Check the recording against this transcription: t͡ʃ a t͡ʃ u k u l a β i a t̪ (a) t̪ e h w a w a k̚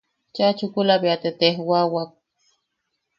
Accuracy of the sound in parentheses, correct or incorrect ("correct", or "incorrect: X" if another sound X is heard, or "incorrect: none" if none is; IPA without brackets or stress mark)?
incorrect: e